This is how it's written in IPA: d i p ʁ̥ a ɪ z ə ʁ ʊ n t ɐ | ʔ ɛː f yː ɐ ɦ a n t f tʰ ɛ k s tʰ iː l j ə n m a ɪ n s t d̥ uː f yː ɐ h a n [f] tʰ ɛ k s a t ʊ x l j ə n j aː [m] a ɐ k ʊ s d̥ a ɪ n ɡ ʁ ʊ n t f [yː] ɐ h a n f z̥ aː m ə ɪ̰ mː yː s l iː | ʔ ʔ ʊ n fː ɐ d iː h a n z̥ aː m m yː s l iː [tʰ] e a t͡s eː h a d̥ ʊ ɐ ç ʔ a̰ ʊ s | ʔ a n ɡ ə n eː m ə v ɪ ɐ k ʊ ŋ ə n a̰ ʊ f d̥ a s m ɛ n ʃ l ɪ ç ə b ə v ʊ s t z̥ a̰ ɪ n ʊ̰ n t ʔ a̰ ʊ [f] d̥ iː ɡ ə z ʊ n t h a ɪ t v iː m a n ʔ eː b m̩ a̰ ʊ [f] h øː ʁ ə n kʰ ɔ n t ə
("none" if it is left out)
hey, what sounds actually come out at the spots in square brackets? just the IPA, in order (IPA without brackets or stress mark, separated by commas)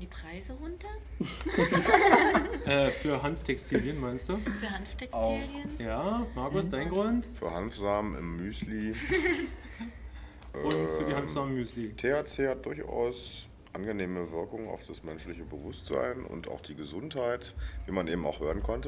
f, m, yː, tʰ, x, x